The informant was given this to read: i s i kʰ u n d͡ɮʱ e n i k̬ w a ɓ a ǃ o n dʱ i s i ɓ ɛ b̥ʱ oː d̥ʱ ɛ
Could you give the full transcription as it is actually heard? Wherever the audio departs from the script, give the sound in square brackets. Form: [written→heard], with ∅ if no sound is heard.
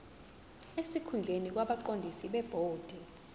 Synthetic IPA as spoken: [i→e] s i kʰ u n d͡ɮʱ e n i k̬ w a ɓ a ǃ o n dʱ i s i ɓ ɛ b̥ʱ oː d̥ʱ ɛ